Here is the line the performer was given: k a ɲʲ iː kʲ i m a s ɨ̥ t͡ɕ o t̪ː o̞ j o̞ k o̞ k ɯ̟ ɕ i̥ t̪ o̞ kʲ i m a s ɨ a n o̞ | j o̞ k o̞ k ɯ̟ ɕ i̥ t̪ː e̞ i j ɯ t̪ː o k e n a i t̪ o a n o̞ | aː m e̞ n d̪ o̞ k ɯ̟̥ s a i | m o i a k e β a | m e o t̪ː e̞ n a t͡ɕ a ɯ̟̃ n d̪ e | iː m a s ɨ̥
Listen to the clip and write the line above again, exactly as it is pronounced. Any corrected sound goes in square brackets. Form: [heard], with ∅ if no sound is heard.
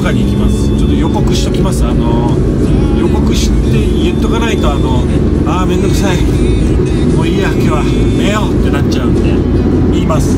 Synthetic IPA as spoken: k a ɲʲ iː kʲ i m a s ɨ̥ t͡ɕ o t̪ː o̞ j o̞ k o̞ k ɯ̟ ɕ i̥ t̪ o̞ kʲ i m a s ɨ a n o̞ | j o̞ k o̞ k ɯ̟ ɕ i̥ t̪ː e̞ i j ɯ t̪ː o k [a] n a i t̪ o a n o̞ | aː m e̞ n d̪ o̞ k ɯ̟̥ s a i | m o i a k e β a | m e o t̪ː e̞ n a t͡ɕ a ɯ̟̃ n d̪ e | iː m a s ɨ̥